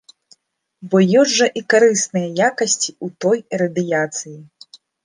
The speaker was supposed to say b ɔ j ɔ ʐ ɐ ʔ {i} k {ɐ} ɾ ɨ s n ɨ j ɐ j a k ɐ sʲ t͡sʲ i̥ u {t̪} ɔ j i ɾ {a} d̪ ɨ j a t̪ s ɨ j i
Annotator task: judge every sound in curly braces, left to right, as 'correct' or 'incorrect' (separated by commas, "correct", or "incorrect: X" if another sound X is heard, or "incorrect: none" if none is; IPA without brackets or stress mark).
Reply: correct, incorrect: a, correct, incorrect: ɐ